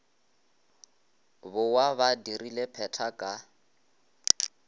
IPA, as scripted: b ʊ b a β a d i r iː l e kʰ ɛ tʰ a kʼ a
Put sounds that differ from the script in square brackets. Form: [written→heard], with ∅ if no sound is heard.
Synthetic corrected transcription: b ʊ [b→w] a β a d i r [iː→i] l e [kʰ→pʰ] ɛ tʰ a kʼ a